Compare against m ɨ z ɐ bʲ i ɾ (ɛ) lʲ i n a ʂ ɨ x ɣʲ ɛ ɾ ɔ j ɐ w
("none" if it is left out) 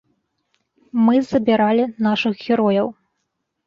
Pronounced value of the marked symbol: a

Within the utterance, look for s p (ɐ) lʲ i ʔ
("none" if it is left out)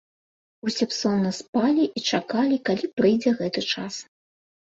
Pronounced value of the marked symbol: a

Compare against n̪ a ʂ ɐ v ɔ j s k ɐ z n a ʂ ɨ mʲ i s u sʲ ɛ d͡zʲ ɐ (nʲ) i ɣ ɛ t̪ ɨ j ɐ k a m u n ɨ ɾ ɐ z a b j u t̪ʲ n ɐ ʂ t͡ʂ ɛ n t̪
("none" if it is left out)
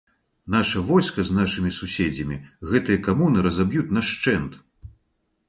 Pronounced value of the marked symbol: mʲ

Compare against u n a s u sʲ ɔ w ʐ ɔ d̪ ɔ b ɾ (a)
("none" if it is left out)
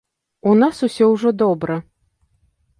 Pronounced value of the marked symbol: ɐ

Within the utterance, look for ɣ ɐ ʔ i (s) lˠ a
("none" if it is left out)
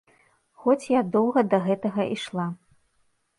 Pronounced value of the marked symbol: ʂ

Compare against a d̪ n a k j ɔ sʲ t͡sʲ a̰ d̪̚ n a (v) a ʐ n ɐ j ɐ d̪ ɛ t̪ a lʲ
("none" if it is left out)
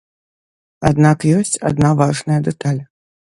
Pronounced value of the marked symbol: v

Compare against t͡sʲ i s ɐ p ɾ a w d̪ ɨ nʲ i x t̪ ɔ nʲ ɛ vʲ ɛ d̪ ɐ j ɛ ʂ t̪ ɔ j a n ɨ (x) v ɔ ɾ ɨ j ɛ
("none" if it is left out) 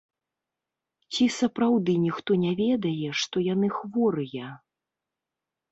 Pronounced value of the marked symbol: x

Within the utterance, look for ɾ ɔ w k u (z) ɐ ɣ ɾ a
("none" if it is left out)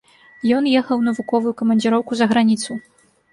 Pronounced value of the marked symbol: z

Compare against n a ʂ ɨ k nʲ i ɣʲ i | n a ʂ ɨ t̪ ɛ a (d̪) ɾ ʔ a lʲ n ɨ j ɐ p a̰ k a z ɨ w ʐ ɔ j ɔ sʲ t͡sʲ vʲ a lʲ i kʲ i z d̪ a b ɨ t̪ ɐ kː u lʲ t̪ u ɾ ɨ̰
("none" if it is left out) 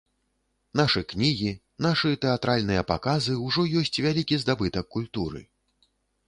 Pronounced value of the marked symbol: t̪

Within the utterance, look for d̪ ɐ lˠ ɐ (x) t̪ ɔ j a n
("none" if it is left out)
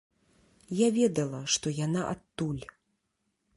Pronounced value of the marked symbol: ʂ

